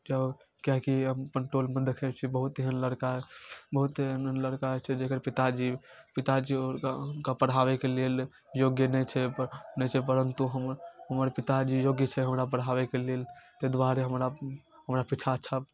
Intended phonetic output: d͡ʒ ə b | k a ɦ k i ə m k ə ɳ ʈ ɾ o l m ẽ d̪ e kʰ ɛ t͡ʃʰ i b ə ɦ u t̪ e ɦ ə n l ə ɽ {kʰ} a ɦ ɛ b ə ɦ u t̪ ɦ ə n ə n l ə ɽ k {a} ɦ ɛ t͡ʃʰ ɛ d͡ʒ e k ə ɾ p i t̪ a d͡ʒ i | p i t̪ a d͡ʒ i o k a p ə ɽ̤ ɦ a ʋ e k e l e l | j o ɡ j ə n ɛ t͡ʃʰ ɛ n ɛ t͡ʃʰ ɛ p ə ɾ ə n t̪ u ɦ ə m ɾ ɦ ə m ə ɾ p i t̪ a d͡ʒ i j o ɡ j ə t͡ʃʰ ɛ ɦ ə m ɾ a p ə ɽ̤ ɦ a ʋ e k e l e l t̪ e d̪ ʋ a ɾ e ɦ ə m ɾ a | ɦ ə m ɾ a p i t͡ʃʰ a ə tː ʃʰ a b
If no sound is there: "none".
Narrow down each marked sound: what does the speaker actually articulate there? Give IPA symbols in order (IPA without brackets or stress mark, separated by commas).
k, a